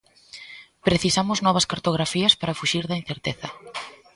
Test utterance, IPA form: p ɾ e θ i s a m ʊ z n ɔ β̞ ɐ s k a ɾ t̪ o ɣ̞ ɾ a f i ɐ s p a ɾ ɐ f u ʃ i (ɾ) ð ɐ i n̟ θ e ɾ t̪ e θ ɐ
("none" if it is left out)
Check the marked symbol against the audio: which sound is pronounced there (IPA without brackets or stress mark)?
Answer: ɾ